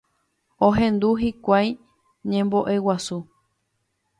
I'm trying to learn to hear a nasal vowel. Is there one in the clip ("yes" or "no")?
yes